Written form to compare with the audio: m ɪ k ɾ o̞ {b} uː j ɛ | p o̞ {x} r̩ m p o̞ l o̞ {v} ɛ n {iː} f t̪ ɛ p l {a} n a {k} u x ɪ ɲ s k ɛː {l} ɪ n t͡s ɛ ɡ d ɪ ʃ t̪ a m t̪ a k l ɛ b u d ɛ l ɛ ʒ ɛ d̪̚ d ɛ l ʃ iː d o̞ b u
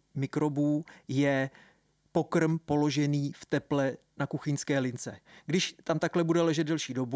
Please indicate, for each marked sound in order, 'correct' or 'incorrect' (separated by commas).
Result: correct, incorrect, incorrect, correct, incorrect, correct, correct